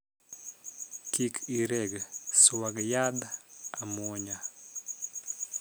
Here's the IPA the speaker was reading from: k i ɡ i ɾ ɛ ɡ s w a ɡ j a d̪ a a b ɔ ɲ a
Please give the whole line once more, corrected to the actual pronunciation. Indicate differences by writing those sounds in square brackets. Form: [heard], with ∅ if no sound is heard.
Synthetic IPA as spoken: k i [k] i ɾ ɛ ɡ s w a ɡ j a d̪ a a [m] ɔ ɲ a